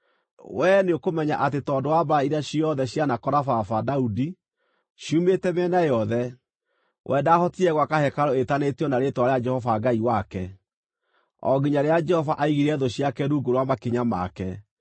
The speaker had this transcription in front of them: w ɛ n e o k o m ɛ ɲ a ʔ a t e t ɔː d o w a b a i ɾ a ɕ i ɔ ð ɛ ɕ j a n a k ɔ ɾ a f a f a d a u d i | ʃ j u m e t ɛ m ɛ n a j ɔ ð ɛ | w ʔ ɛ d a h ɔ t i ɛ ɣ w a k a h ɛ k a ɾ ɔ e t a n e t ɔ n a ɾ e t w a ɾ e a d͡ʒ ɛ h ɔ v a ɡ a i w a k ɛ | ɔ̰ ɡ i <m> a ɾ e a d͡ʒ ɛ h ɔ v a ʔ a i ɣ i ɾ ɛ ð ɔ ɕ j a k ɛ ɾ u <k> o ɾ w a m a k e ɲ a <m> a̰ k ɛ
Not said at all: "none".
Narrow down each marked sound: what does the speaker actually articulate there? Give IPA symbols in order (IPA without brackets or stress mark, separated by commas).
ɲ, ɡ, m